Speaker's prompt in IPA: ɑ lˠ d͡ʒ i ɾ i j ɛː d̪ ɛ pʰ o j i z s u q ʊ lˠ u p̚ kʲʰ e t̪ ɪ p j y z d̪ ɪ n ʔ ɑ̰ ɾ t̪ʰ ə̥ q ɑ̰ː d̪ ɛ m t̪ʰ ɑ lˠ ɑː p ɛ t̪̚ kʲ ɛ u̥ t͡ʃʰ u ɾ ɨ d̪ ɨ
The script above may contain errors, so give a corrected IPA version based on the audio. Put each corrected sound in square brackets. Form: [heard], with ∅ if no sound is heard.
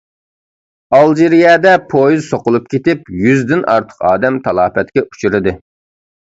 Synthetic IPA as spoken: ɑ lˠ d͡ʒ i ɾ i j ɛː d̪ ɛ pʰ o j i z s [o] q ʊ lˠ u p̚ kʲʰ e t̪ ɪ p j y z d̪ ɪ n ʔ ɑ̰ ɾ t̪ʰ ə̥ q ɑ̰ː d̪ ɛ m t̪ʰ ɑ lˠ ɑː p ɛ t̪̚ kʲ ɛ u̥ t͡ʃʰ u ɾ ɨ d̪ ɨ